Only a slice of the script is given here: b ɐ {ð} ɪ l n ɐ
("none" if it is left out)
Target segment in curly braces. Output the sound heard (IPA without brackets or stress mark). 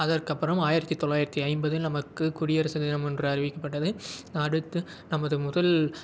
ð